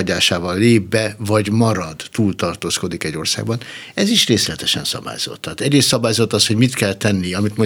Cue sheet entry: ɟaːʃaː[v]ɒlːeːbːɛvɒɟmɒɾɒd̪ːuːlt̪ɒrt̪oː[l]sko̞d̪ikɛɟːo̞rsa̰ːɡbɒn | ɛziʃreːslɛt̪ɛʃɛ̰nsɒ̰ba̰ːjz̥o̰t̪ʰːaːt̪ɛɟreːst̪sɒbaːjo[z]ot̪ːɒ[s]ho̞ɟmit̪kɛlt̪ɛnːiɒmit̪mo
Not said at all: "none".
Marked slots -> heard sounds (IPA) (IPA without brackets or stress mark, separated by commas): v, none, z, s